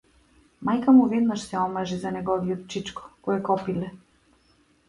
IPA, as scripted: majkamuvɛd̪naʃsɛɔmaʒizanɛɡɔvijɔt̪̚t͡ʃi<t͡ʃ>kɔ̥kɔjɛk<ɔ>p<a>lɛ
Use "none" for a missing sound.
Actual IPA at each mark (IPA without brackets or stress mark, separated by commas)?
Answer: t͡ʃ, ɔ, i